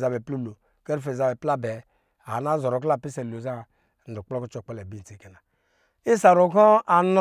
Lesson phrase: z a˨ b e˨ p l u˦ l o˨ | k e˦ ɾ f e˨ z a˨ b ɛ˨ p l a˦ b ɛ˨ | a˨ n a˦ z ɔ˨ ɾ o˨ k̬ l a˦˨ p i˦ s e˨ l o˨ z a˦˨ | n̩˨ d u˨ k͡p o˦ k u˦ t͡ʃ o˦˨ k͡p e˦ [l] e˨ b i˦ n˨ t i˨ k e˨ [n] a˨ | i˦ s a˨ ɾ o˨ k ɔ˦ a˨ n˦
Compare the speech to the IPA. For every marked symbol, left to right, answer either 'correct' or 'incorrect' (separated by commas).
correct, correct